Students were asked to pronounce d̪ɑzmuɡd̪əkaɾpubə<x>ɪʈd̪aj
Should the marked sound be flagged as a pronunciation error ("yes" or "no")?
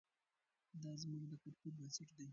yes